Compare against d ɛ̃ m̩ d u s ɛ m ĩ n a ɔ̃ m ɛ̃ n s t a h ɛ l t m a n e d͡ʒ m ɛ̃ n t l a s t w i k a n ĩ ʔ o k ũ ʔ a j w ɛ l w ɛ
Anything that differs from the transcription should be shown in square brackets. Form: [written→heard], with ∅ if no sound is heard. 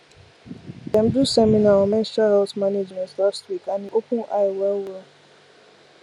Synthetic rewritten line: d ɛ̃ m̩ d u s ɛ m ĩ n a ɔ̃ m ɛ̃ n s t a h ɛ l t m a n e d͡ʒ m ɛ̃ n t l a s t w i k a n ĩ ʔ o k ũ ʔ a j w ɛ l w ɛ